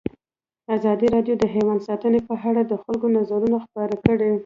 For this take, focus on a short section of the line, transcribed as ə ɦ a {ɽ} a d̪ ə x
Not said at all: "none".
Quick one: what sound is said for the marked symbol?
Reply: ɽ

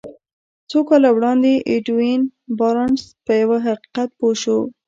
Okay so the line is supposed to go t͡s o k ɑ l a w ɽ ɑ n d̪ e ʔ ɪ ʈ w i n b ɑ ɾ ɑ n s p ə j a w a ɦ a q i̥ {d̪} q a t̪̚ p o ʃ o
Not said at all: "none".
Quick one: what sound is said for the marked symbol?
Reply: none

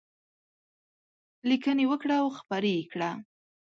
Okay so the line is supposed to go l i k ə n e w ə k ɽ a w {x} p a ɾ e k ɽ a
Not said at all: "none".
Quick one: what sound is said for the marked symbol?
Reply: x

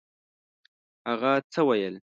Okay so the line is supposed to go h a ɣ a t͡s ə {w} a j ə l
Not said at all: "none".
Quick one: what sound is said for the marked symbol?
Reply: w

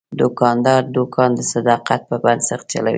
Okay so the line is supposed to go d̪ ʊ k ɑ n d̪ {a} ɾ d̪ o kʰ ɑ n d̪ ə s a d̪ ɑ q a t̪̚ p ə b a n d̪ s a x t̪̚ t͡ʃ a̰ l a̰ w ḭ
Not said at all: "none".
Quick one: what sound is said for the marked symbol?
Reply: ɑ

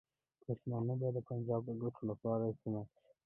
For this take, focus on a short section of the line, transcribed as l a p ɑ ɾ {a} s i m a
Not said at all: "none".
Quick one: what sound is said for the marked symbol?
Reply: a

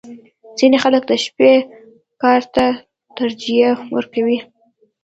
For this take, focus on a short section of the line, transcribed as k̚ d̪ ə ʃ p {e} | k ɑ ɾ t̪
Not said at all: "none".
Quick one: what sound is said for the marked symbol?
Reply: e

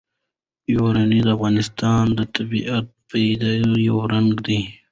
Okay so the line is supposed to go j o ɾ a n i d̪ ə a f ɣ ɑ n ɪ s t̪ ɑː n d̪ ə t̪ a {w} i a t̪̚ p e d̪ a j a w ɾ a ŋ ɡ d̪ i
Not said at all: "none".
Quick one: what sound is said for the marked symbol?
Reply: b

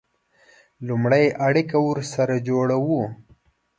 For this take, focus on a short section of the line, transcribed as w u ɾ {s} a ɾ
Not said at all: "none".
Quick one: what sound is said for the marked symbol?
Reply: s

